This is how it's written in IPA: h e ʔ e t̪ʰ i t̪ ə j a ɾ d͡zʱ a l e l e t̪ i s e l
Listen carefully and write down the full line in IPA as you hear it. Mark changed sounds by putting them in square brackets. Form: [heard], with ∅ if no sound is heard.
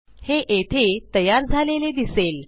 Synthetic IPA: h e ʔ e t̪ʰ [e] t̪ ə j a ɾ d͡zʱ a l e l e [d̪] i s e l